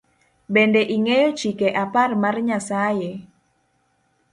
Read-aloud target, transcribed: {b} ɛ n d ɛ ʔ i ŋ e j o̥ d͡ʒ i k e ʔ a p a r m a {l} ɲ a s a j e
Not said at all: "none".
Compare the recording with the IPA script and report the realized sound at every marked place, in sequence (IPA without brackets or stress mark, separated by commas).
b, r